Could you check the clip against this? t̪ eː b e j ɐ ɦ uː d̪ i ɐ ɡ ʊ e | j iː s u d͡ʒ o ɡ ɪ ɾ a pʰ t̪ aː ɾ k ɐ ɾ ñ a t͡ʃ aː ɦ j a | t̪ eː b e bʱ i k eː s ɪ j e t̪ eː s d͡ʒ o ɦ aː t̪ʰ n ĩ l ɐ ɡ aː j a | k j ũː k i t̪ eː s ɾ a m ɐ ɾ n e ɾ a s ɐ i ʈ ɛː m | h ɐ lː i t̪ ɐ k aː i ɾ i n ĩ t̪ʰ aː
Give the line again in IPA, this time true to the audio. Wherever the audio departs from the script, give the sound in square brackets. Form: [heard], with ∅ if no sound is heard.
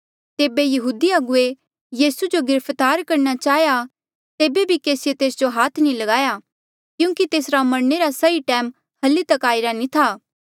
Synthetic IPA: t̪ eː b e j ɐ ɦ uː d̪ i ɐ ɡ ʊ e | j iː s u d͡ʒ o ɡ ɪ ɾ [ə] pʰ t̪ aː ɾ k ɐ ɾ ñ a t͡ʃ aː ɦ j a | t̪ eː b e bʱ i k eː s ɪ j e t̪ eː s d͡ʒ o ɦ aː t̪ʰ n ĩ l ɐ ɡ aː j a | k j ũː k i t̪ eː s ɾ a m ɐ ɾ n e ɾ a s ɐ i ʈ ɛː m | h ɐ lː i t̪ ɐ k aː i ɾ [a] n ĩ t̪ʰ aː